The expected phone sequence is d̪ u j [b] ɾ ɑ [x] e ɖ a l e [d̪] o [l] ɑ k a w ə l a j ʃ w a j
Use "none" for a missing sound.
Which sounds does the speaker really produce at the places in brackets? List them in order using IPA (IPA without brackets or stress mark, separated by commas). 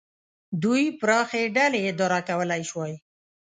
p, x, d̪, ɾ